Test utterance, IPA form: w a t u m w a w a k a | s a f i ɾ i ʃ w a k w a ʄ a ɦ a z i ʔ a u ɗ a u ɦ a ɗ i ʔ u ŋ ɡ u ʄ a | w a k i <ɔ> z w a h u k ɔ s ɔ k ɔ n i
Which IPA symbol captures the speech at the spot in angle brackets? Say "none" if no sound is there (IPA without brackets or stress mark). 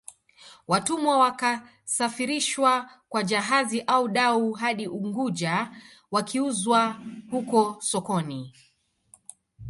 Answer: u